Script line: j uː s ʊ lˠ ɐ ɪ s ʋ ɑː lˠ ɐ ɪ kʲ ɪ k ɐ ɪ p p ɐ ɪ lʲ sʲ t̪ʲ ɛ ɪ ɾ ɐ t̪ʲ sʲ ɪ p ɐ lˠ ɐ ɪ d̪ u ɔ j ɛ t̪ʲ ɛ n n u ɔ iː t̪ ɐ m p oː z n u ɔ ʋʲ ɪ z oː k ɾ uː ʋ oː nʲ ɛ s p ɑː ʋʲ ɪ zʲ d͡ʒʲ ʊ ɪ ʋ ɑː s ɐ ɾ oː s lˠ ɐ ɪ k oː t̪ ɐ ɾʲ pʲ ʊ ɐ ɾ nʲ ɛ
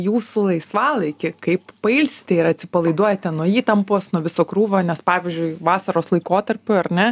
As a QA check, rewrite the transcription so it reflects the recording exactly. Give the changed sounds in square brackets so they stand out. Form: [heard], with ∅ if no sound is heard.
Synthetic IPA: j uː s ʊ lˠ ɐ ɪ s ʋ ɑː lˠ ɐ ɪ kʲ ɪ k ɐ ɪ p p ɐ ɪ lʲ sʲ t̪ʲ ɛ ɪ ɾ ɐ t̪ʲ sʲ ɪ p ɐ lˠ ɐ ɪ d̪ u ɔ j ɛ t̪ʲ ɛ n n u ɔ iː t̪ ɐ m p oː [s] n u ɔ ʋʲ ɪ [s] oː k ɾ uː ʋ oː nʲ ɛ s p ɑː ʋʲ ɪ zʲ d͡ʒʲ ʊ ɪ ʋ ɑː s ɐ ɾ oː s lˠ ɐ ɪ k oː t̪ ɐ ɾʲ pʲ ʊ ɐ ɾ nʲ ɛ

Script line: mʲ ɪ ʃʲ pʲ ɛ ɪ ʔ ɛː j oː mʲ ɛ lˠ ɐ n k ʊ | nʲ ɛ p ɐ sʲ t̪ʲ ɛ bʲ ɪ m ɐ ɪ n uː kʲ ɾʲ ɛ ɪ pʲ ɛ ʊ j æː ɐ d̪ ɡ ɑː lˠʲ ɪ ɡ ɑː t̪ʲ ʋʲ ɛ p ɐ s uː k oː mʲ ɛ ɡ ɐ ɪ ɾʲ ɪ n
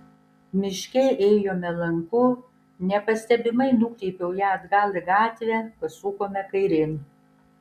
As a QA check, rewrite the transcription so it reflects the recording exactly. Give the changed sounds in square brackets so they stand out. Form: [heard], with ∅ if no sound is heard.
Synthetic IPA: mʲ ɪ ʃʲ [kʲ] ɛ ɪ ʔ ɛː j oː mʲ ɛ lˠ ɐ [ŋ] k ʊ | nʲ ɛ p ɐ sʲ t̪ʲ ɛ bʲ ɪ m ɐ ɪ n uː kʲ ɾʲ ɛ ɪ pʲ ɛ ʊ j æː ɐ d̪ ɡ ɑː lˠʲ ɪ ɡ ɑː t̪ʲ ʋʲ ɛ p ɐ s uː k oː mʲ ɛ [k] ɐ ɪ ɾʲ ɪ n

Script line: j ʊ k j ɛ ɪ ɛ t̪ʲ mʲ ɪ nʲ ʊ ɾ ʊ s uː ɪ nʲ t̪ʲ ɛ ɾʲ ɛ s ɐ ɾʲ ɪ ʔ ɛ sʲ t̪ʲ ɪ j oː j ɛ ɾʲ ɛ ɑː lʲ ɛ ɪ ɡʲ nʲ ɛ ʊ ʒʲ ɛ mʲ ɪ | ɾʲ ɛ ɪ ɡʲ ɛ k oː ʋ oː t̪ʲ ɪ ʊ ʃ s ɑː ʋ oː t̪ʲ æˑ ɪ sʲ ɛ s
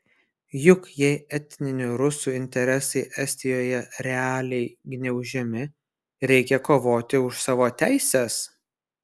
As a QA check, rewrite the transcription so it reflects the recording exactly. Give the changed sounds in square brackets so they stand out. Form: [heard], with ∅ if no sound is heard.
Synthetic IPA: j ʊ k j ɛ ɪ ɛ t̪ʲ [nʲ] ɪ nʲ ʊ ɾ ʊ s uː ɪ nʲ t̪ʲ ɛ ɾʲ ɛ s ɐ [∅] ɪ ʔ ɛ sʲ t̪ʲ ɪ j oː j ɛ ɾʲ ɛ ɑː lʲ ɛ ɪ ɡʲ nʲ ɛ ʊ ʒʲ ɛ mʲ ɪ | ɾʲ ɛ ɪ [kʲ] ɛ k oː ʋ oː t̪ʲ ɪ ʊ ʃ s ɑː ʋ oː t̪ʲ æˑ ɪ sʲ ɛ s

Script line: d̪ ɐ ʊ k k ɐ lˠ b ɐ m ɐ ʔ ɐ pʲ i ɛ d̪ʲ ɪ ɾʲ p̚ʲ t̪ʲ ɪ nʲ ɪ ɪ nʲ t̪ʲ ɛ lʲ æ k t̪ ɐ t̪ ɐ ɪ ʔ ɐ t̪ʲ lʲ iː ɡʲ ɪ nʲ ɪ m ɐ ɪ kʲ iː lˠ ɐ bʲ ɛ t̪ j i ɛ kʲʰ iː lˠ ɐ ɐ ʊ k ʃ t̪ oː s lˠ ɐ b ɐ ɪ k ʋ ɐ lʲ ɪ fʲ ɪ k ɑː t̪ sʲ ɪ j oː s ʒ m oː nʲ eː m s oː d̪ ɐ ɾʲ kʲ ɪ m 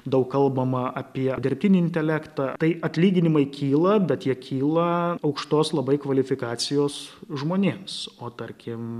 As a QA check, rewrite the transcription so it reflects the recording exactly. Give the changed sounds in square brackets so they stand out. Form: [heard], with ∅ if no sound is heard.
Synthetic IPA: d̪ ɐ ʊ k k ɐ lˠ b ɐ m ɐ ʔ ɐ pʲ i ɛ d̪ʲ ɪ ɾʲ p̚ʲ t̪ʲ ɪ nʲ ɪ ɪ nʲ t̪ʲ ɛ lʲ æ k t̪ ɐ t̪ ɐ ɪ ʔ ɐ t̪ʲ lʲ iː ɡʲ ɪ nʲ ɪ m ɐ ɪ kʲ iː lˠ ɐ bʲ ɛ t̪ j i ɛ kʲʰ iː lˠ ɐ ɐ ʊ k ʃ t̪ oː s lˠ ɐ b ɐ ɪ k ʋ ɐ lʲ ɪ fʲ ɪ k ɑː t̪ sʲ ɪ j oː s ʒ m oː nʲ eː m s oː [t̪] ɐ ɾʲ kʲ ɪ m

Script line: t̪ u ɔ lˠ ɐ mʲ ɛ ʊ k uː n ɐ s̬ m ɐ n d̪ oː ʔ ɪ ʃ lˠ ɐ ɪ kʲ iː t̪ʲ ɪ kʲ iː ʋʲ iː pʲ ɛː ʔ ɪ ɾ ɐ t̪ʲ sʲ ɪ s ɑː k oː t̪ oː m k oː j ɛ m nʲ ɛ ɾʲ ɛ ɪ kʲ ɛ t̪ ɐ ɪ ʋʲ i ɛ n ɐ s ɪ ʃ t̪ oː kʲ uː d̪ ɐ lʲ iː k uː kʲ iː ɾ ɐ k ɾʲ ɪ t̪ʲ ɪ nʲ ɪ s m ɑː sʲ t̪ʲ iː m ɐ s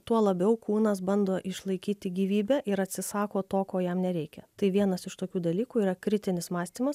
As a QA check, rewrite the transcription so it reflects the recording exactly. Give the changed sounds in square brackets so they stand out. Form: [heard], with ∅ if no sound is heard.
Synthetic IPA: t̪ u ɔ lˠ ɐ [bʲ] ɛ ʊ k uː n ɐ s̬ [b] ɐ n d̪ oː ʔ ɪ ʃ lˠ ɐ ɪ kʲ iː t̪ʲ ɪ [ɡʲ] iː ʋʲ iː [bʲ] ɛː ʔ ɪ ɾ ɐ t̪ʲ sʲ ɪ s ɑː k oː t̪ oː [∅] k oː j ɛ m nʲ ɛ ɾʲ ɛ ɪ kʲ ɛ t̪ ɐ ɪ ʋʲ i ɛ n ɐ s ɪ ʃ t̪ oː kʲ uː d̪ ɐ lʲ iː k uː [∅] iː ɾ ɐ k ɾʲ ɪ t̪ʲ ɪ nʲ ɪ s m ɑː sʲ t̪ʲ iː m ɐ s

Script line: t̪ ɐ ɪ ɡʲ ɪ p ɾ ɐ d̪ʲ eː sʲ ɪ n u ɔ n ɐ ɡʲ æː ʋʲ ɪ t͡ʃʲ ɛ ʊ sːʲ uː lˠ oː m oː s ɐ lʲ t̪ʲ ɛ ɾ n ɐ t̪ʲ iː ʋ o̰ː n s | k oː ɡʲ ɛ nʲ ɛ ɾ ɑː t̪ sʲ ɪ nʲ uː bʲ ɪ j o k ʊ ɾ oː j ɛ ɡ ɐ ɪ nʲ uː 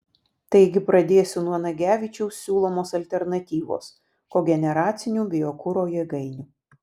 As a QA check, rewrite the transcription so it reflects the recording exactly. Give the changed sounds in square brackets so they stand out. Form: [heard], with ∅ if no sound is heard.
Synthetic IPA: t̪ ɐ ɪ ɡʲ ɪ p ɾ ɐ d̪ʲ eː sʲ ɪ n u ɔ n ɐ ɡʲ æː ʋʲ ɪ t͡ʃʲ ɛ ʊ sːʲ uː lˠ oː m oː s ɐ lʲ t̪ʲ ɛ ɾ n ɐ t̪ʲ iː ʋ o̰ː [∅] s | k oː ɡʲ ɛ nʲ ɛ ɾ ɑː t̪ sʲ ɪ nʲ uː bʲ ɪ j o k ʊ ɾ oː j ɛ ɡ ɐ ɪ nʲ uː

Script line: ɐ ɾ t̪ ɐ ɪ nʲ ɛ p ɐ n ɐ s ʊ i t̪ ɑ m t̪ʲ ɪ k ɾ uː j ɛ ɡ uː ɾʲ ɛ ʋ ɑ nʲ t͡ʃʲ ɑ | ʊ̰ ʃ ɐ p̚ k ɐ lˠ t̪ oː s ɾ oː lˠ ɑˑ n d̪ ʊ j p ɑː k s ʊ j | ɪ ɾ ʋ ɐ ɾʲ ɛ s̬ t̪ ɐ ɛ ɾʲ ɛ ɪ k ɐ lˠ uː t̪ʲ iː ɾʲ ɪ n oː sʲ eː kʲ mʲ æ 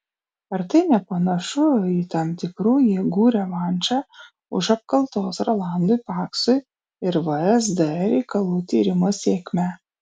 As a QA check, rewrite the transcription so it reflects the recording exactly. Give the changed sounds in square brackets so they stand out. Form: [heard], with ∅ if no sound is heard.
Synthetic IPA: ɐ ɾ t̪ ɐ ɪ nʲ ɛ p ɐ n ɐ [ʃ] ʊ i t̪ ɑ m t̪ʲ ɪ k ɾ uː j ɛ ɡ uː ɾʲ ɛ ʋ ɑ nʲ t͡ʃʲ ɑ | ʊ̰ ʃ ɐ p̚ k ɐ lˠ t̪ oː s ɾ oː lˠ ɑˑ n d̪ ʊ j p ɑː k s ʊ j | ɪ ɾ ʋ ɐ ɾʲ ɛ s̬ [d̪] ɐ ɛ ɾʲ ɛ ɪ k ɐ lˠ uː t̪ʲ iː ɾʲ ɪ [m] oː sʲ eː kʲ mʲ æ

